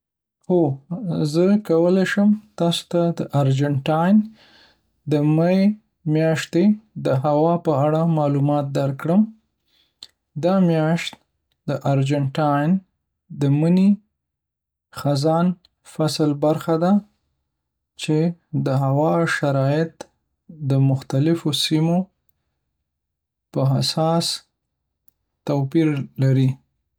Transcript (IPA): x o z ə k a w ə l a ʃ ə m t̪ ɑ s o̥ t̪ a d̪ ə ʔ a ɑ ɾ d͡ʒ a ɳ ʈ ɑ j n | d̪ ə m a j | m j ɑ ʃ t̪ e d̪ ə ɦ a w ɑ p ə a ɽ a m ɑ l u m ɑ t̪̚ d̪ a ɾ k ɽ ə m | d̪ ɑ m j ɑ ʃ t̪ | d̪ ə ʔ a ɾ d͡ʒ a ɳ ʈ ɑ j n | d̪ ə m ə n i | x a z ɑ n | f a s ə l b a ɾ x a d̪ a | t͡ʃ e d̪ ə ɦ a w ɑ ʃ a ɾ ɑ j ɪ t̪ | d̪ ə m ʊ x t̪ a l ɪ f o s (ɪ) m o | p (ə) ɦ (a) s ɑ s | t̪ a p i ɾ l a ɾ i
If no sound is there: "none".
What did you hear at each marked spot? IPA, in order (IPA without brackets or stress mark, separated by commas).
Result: i, ə, a